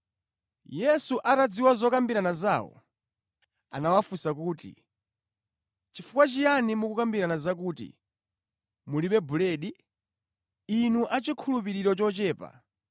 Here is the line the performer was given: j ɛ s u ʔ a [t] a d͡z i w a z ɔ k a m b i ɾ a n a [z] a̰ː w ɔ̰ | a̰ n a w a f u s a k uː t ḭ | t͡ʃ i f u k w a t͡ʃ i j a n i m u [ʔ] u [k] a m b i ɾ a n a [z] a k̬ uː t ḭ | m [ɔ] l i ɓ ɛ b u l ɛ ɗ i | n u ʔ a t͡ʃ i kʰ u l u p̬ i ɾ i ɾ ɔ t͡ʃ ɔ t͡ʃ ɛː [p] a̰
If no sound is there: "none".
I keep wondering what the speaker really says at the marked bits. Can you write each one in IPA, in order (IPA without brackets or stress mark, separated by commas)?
t, z, k, k, z, u, p